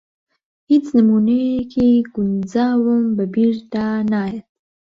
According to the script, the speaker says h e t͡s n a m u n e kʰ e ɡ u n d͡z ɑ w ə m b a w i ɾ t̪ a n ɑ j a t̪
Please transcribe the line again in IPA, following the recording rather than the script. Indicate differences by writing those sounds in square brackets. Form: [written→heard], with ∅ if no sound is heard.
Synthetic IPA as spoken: h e t͡s n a m u n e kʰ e ɡ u n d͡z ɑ w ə m b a [w→b] i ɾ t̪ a n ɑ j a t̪